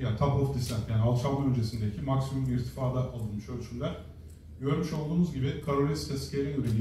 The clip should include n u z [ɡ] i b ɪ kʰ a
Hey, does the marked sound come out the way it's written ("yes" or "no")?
no